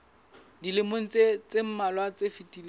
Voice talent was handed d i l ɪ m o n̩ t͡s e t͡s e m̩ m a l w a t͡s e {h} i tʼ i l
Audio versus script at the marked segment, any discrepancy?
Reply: yes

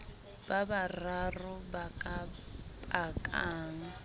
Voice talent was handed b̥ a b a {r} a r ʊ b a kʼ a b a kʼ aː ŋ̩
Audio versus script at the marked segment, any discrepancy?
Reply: no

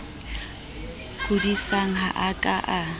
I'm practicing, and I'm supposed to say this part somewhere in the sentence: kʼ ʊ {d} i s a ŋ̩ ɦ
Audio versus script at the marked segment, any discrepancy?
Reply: no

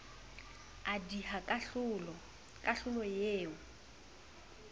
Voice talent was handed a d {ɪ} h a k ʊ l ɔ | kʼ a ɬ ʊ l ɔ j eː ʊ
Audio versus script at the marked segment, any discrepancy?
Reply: yes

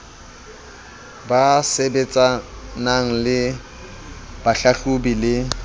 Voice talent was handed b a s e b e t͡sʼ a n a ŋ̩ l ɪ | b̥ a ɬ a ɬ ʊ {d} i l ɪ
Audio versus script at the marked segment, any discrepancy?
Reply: yes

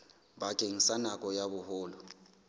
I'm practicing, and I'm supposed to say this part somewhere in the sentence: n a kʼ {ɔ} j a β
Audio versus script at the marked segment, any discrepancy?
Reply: no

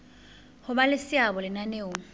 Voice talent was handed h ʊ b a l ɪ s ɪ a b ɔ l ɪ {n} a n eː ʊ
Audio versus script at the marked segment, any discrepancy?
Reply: no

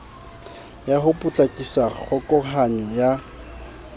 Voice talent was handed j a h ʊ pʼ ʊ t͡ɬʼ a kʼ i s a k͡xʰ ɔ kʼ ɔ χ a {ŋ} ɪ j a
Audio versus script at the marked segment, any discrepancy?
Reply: yes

